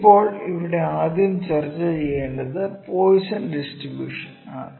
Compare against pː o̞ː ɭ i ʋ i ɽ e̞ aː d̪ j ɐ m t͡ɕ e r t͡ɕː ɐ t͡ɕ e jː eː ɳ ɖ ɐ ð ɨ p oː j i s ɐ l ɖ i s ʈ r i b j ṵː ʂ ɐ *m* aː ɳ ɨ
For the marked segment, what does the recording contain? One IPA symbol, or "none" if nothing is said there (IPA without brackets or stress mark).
n